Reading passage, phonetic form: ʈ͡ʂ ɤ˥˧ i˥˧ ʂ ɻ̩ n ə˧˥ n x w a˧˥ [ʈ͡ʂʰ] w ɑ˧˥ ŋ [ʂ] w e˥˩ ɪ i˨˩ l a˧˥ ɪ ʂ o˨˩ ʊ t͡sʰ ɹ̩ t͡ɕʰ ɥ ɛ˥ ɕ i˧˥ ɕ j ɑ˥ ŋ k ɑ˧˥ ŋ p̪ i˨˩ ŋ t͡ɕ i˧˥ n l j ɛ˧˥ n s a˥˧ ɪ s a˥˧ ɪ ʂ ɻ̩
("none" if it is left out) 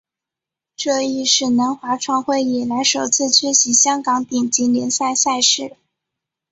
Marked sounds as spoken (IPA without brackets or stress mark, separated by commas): ʈ͡ʂʰ, x